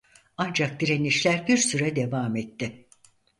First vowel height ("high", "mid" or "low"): low